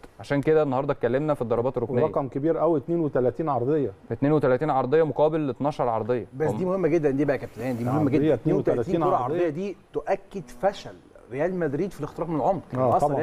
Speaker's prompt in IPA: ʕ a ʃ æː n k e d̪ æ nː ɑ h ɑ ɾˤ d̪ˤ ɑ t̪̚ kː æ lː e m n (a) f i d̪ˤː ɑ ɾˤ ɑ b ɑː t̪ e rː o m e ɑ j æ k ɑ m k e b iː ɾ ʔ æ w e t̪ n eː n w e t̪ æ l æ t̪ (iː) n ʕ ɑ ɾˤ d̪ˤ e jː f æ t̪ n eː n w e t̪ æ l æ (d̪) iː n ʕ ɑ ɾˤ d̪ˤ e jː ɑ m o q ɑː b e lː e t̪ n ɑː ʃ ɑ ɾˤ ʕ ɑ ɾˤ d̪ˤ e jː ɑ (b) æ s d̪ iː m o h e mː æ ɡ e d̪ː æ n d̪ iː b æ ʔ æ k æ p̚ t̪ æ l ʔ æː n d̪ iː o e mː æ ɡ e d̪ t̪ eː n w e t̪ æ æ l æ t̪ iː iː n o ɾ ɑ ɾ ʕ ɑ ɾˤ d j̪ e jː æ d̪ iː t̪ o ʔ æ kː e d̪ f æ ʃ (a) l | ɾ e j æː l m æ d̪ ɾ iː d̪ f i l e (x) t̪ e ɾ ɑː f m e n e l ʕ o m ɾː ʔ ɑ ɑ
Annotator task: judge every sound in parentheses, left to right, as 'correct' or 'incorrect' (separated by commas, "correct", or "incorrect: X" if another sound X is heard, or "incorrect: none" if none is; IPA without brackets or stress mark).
incorrect: æ, correct, incorrect: t̪, correct, incorrect: æ, correct